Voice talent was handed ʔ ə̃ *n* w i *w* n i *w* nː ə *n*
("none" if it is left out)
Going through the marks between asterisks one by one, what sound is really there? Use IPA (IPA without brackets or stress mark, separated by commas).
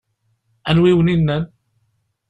n, w, none, n